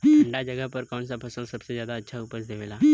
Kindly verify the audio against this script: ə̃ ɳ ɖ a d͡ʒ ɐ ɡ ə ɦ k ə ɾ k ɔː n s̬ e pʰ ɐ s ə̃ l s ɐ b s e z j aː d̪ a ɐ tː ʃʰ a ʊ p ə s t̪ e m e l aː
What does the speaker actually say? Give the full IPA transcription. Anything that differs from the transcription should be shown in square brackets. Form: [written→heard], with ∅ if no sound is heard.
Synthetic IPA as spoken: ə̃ ɳ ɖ a d͡ʒ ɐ ɡ ə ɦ [k→p] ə ɾ k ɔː n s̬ [e→a] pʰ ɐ s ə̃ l s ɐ b s e z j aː d̪ a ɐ tː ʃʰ a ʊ p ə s [t̪→d̪] e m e l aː